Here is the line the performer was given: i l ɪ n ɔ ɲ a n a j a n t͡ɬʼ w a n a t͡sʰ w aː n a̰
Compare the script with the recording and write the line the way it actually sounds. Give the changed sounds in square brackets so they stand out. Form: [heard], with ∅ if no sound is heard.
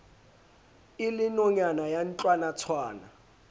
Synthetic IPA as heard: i l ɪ n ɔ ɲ a n a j a n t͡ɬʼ w a n a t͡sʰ w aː n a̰